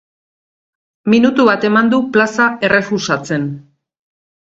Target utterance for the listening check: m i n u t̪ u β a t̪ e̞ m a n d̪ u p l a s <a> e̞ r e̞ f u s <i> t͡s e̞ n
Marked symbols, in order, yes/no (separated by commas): yes, no